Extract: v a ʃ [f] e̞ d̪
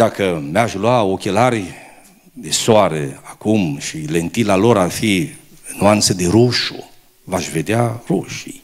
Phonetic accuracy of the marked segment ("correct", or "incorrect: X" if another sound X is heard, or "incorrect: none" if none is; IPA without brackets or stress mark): incorrect: v